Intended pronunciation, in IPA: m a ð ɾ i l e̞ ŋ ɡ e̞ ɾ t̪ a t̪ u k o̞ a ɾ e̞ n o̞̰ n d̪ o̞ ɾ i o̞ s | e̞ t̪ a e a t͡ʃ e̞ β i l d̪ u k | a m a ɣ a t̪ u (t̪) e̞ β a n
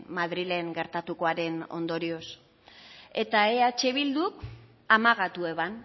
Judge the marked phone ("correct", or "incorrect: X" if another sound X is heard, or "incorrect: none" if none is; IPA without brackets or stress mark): incorrect: none